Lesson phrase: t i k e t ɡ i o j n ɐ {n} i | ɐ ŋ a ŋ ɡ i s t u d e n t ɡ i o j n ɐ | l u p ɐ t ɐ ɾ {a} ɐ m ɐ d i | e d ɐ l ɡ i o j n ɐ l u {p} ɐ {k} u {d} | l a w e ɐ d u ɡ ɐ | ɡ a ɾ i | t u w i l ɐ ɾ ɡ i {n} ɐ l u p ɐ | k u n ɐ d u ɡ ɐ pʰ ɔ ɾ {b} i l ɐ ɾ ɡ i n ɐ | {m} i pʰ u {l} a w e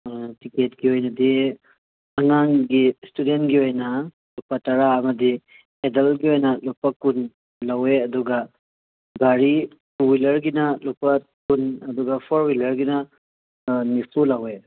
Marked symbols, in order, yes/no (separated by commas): no, yes, yes, yes, no, yes, no, no, yes